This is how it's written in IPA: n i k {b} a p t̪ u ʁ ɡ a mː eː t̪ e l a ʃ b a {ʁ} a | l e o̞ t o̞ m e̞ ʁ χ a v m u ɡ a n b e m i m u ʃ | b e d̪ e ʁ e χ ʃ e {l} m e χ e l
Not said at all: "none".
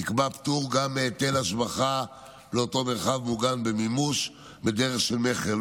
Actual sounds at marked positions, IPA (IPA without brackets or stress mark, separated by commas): b, χ, l